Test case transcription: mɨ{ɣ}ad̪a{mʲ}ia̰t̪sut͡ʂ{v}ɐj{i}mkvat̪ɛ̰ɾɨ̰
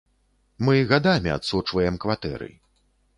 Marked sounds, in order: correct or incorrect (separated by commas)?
correct, correct, correct, incorrect